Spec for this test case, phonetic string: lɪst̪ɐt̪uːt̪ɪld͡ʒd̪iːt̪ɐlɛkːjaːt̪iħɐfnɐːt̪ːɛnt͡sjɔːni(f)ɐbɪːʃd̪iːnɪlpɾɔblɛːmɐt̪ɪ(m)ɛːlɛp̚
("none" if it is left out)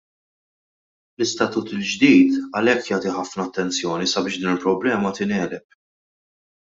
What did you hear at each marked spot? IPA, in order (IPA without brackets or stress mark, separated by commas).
s, n